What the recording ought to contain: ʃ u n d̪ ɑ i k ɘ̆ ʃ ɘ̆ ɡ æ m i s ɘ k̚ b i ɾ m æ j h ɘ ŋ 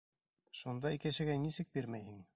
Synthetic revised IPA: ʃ u n d̪ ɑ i k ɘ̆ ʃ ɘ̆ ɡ æ n i s ɘ k̚ b i ɾ m æ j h ɘ ŋ